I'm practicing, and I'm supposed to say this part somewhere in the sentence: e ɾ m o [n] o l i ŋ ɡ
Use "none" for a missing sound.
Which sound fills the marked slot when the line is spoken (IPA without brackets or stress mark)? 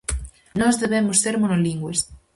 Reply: n